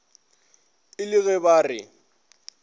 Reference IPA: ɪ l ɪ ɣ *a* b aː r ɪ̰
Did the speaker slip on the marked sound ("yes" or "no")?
yes